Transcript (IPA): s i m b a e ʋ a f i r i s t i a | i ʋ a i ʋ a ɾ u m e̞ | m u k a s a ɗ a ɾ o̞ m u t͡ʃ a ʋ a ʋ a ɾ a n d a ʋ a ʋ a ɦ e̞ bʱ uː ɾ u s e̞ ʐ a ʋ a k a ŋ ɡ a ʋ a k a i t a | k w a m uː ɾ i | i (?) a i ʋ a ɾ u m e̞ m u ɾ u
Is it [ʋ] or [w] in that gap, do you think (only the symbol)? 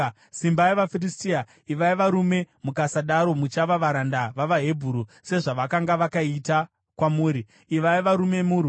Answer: ʋ